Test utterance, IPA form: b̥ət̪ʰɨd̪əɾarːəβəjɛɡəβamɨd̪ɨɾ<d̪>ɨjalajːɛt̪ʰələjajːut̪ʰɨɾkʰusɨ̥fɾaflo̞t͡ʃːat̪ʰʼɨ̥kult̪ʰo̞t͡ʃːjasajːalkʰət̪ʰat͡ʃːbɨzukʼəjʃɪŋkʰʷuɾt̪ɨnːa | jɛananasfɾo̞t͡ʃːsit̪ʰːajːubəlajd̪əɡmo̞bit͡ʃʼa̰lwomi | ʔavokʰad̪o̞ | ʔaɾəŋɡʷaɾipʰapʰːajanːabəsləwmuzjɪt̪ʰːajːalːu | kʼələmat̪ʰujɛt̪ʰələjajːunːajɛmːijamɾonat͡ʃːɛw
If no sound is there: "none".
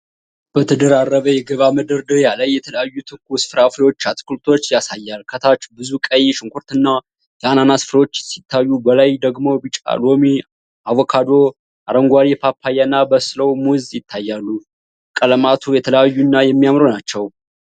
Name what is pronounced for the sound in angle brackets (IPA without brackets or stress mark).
d̪